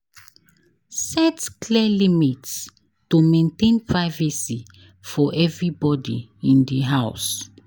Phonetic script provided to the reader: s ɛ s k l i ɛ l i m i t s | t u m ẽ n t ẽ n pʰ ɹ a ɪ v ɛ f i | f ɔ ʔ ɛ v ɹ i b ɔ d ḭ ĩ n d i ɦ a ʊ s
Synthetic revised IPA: s ɛ t k l i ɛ l i m i t s | t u m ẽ n t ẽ n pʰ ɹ a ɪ v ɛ s i | f ɔ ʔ ɛ v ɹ i b ɔ d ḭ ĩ n d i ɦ a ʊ s